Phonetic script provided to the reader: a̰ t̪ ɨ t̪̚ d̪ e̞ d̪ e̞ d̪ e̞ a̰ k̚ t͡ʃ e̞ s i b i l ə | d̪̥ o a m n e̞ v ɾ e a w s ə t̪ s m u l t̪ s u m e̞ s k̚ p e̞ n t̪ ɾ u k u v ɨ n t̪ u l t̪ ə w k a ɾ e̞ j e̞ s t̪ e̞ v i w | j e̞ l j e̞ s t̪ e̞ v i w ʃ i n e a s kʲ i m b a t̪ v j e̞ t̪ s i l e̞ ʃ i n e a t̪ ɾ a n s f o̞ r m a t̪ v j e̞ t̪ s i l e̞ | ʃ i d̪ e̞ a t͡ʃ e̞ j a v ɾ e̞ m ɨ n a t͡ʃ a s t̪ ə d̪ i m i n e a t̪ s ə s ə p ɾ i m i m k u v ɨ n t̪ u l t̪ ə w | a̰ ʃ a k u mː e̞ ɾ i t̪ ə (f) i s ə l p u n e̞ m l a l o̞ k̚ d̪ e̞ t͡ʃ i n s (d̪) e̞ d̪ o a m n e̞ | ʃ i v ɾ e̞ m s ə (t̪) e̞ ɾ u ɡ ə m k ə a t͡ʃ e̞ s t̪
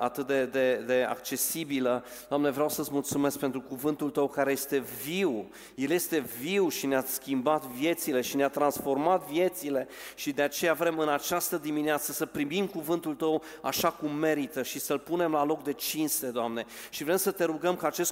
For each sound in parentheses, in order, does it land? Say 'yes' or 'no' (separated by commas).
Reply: no, no, yes